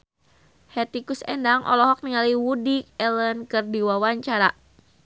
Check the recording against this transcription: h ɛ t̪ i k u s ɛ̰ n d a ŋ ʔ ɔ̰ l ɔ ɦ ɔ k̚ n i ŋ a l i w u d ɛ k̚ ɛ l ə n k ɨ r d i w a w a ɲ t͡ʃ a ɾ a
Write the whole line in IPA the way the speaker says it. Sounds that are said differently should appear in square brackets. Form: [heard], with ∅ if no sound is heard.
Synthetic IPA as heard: h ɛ t̪ i k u s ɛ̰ n d a ŋ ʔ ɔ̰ l ɔ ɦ ɔ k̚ n i ŋ a l i w u d [i] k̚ ɛ l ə n k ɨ r d i w a w a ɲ t͡ʃ a ɾ a